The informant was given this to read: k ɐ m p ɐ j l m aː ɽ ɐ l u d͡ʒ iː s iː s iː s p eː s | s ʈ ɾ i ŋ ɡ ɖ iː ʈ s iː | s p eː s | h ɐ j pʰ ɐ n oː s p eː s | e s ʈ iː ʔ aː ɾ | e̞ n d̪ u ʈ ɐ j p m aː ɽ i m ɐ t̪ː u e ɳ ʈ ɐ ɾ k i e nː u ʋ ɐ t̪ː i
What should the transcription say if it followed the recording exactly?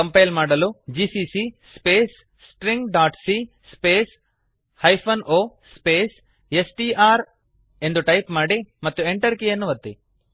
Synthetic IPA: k ɐ m p ɐ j l m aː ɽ ɐ l u d͡ʒ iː s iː s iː s p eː s | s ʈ ɾ i ŋ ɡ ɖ aː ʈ s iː | s p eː s | h ɐ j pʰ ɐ n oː s p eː s | e s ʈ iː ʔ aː ɾ | e̞ n d̪ u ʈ ɐ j p m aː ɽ i m ɐ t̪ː u e ɳ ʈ ɐ ɾ k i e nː u ʋ ɐ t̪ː i